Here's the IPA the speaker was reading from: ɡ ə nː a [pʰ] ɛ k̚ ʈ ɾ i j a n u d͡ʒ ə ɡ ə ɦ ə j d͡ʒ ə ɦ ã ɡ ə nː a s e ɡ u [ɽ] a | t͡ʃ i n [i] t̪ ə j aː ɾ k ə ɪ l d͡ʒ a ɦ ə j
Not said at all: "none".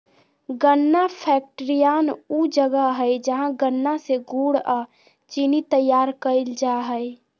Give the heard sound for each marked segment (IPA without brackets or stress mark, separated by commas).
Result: pʰ, ɽ, i